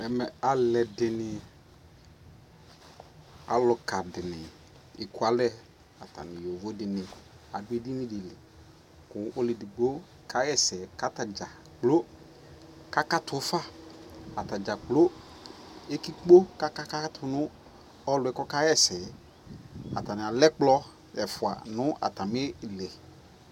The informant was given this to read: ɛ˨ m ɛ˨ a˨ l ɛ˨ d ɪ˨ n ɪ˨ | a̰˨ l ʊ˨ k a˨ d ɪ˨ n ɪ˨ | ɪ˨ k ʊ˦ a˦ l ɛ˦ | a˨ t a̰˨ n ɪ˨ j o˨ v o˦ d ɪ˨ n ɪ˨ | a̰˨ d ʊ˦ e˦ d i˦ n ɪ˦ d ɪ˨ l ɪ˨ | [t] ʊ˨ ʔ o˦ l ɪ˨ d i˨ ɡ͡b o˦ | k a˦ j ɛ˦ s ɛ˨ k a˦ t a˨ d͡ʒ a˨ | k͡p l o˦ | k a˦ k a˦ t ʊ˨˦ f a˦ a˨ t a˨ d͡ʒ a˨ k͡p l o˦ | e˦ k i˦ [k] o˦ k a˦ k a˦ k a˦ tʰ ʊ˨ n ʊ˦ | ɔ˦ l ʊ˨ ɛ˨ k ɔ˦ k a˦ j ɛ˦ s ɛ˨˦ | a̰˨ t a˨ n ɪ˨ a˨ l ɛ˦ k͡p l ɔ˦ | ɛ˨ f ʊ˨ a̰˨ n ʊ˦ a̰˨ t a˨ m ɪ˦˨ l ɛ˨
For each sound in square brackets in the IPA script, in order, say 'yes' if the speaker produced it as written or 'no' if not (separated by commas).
no, no